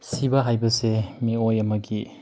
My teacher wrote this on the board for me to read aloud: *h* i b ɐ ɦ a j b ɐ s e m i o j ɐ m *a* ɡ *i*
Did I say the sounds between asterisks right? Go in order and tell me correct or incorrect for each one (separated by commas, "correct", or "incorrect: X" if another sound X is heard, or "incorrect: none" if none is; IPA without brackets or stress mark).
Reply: incorrect: s, incorrect: ɐ, correct